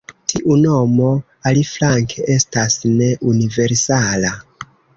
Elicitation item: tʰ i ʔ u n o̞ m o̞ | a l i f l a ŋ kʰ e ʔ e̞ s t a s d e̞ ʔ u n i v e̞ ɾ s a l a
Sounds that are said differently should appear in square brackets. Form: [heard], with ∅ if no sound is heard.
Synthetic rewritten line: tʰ i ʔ u n o̞ m o̞ | a l i f l a ŋ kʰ e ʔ e̞ s t a s [n] e̞ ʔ u n i v e̞ ɾ s a l a

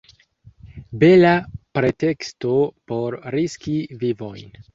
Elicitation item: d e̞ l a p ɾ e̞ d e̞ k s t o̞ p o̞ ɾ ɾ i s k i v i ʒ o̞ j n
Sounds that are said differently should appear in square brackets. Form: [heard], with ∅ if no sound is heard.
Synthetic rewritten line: [b] e̞ l a p ɾ e̞ [t] e̞ k s t o̞ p o̞ ɾ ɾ i s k i v i [v] o̞ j n

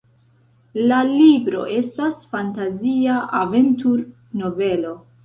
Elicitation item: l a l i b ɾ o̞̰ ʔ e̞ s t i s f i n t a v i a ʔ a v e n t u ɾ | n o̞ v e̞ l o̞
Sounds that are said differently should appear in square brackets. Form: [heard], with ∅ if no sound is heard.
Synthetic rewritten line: l a l i b ɾ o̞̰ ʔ e̞ s t [a] s f [a] n t a [z] i a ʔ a v e n t u ɾ | n o̞ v e̞ l o̞

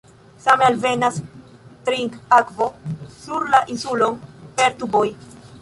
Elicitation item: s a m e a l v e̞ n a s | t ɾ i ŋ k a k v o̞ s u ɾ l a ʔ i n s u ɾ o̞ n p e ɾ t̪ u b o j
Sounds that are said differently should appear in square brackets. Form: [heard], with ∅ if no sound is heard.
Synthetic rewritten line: s a m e a l v e̞ n a s | t ɾ i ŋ k a k v o̞ s u ɾ l a ʔ i n s u [l] o̞ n p e ɾ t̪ u b o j

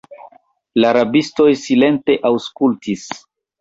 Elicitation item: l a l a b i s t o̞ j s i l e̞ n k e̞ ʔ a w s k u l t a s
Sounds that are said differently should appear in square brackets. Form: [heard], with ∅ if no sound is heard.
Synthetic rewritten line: l a [ɾ] a b i s t o̞ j s i l e̞ n [t] e̞ ʔ a w s k u l t [i] s

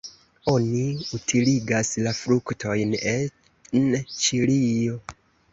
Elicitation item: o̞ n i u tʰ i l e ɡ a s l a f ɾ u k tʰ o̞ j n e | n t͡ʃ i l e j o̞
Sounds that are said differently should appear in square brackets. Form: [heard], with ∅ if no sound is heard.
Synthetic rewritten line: o̞ n i u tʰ i l [i] ɡ a s l a f ɾ u k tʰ o̞ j n e | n t͡ʃ i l [i] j o̞

